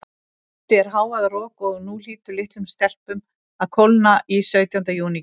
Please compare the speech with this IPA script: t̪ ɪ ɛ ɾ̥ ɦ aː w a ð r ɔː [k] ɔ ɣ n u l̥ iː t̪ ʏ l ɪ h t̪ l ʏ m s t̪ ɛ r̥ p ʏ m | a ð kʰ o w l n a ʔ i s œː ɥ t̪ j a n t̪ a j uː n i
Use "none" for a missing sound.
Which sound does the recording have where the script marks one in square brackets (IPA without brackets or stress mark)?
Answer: k